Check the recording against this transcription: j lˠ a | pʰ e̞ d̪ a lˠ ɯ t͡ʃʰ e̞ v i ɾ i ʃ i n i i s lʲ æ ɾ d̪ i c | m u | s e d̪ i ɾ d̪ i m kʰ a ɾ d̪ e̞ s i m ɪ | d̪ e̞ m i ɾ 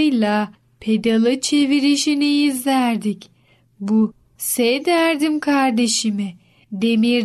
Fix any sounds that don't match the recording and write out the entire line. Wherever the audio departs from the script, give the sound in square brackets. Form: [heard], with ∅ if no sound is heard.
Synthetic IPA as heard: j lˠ a | pʰ e̞ d̪ a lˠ ɯ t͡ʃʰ e̞ v i ɾ i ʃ i n i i [z] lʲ æ ɾ d̪ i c | [b] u | s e d̪ [æ] ɾ d̪ i m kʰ a ɾ d̪ e̞ [ʃ] i m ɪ | d̪ e̞ m i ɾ